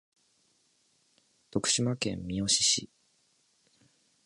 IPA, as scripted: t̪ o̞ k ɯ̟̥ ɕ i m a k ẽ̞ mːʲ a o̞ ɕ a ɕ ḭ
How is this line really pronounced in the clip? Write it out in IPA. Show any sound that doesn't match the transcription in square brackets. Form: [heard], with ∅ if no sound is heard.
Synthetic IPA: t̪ o̞ k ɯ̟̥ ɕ i m a k ẽ̞ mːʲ [i] o̞ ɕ [i] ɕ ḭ